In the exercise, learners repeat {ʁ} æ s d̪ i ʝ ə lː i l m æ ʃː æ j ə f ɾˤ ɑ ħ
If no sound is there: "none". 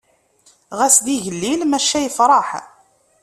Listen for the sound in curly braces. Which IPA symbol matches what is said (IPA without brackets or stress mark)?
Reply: ʁ